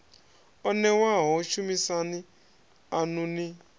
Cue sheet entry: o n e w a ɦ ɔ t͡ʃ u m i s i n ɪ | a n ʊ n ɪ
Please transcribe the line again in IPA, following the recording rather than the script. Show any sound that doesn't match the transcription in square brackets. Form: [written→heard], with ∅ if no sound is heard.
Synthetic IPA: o n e w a ɦ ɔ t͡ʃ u m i s [i→a] n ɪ | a n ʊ n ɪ